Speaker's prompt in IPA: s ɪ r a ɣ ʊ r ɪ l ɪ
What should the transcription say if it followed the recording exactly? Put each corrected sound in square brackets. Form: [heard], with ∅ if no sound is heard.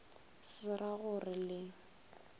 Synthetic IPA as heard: s ɪ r a ɣ ʊ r ɪ l ɪ